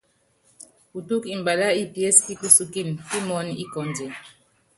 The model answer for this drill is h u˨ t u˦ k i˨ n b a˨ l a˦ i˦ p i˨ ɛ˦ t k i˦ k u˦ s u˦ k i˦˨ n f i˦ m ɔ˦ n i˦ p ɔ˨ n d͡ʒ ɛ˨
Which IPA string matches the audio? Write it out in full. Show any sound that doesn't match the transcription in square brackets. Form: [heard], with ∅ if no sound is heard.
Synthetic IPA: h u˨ t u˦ k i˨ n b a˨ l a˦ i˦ p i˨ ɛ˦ [s] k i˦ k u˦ s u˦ k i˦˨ n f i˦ m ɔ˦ n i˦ [k] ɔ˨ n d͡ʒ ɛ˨